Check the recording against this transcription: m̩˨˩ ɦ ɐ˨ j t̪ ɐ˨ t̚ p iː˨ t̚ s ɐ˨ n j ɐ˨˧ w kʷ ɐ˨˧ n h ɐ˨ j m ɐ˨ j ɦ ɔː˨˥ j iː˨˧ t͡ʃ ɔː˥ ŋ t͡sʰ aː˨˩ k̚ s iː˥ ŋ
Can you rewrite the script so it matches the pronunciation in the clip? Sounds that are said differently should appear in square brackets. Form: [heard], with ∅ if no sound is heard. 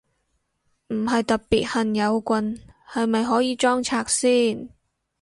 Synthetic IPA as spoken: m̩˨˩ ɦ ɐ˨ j t̪ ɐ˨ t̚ p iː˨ t̚ [h] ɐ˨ n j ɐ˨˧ w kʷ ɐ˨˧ n h ɐ˨ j m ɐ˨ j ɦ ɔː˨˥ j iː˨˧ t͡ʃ ɔː˥ ŋ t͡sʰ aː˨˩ k̚ s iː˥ [n]